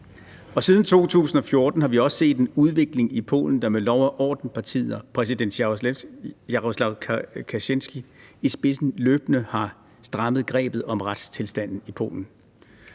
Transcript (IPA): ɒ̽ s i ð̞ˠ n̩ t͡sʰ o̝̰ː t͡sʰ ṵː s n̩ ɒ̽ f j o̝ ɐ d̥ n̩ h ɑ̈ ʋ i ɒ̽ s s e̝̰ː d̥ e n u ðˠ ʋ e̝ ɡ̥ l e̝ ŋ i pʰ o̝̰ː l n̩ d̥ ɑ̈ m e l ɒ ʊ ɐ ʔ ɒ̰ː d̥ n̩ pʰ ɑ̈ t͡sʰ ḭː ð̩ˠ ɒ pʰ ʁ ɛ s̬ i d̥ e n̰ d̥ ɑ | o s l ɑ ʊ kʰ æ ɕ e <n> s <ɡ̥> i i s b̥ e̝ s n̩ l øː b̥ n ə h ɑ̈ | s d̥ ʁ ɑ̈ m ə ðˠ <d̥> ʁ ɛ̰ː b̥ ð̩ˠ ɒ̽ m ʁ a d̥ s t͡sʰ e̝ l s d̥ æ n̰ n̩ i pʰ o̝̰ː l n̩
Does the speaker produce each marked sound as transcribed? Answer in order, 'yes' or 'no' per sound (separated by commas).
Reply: yes, yes, no